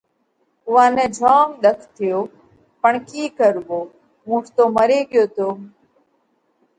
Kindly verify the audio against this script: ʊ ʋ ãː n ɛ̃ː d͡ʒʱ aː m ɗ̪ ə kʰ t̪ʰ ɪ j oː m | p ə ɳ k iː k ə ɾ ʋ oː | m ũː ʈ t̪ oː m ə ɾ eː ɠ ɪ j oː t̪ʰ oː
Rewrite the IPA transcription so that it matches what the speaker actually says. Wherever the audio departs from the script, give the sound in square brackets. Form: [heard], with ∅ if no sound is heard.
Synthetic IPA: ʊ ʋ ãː n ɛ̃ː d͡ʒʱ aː m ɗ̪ ə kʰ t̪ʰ ɪ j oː [∅] | p ə ɳ k iː k ə ɾ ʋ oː | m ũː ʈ t̪ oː m ə ɾ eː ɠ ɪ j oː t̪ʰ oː